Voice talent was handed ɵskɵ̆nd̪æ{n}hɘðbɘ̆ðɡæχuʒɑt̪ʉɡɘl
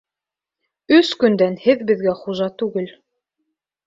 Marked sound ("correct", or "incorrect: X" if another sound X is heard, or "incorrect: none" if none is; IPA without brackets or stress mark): correct